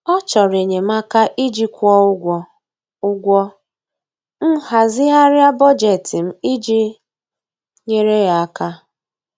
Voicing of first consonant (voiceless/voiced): voiceless